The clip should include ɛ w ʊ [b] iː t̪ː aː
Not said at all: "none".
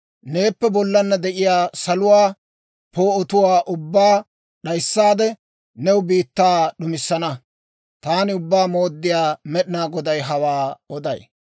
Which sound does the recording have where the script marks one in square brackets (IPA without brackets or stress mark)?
b